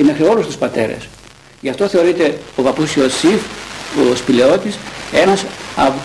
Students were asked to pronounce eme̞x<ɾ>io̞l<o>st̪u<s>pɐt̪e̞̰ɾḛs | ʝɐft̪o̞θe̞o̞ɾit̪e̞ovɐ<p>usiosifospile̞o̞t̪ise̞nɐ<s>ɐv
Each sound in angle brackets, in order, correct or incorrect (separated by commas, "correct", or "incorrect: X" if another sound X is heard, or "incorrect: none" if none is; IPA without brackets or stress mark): correct, incorrect: u, correct, correct, correct